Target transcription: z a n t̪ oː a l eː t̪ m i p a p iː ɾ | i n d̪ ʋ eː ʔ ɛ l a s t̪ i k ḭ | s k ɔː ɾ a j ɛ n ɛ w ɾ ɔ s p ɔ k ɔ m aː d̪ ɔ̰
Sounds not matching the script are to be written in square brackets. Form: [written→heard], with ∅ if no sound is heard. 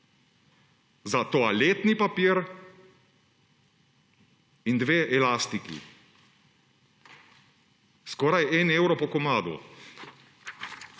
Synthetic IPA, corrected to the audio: z a [n→∅] t̪ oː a l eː t̪ [m→n] i p a p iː ɾ | i n d̪ ʋ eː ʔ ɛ l a s t̪ i k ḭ | s k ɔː ɾ a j ɛ n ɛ w ɾ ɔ [s→∅] p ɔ k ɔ m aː d̪ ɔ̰